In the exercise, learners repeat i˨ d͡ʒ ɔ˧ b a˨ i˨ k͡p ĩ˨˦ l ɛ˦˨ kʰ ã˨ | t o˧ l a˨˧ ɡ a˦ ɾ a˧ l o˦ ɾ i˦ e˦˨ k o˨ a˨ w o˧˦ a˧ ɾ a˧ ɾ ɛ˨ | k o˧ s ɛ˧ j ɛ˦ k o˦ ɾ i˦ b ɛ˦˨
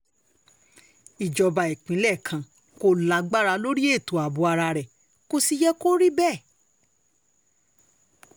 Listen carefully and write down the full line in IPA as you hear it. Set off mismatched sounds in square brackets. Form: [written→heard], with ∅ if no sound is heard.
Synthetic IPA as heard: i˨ d͡ʒ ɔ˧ b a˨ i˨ k͡p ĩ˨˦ l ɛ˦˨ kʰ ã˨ | [t→k] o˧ l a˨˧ [ɡ→ɡ͡b] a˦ ɾ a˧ l o˦ ɾ i˦ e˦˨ [k→t] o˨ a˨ [w→b] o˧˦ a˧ ɾ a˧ ɾ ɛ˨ | k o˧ s [ɛ˧→i˧] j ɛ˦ k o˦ ɾ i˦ b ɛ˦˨